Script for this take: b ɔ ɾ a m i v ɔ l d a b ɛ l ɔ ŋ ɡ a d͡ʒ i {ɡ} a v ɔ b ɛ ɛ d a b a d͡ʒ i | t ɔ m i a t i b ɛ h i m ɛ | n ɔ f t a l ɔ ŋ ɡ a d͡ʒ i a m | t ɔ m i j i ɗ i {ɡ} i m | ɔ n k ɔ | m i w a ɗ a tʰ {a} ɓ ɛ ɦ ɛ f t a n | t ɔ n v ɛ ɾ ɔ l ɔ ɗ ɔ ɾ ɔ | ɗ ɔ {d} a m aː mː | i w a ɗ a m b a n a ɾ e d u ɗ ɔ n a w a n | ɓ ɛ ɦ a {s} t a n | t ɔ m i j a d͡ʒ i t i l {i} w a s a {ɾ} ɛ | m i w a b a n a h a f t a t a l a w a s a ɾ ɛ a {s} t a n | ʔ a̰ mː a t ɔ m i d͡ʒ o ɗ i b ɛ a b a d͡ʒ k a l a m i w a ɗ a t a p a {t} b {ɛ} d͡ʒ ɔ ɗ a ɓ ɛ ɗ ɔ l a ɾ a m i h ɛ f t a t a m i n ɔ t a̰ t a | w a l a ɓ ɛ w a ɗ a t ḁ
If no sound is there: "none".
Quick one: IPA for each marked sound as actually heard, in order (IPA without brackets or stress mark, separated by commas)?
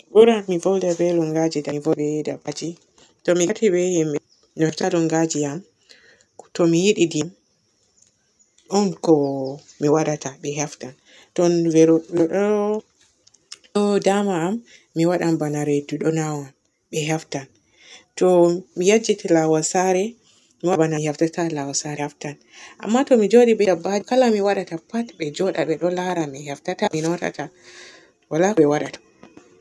d, d, a, d, f, a, ɾ, f, t, ɛ